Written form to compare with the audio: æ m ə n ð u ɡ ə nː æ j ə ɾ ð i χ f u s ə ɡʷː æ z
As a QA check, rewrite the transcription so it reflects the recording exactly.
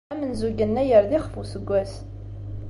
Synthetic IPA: æ m ə n z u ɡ ə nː æ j ə ɾ ð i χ f u s ə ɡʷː æ s